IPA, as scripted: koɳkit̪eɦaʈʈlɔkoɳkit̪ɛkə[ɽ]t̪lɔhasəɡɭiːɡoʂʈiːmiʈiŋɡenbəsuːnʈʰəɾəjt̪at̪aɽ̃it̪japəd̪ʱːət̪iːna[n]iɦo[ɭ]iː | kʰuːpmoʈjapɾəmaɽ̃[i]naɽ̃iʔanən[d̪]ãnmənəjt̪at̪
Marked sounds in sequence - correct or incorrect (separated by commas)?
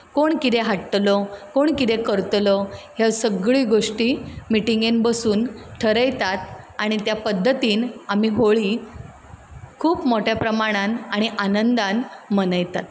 incorrect, incorrect, correct, incorrect, correct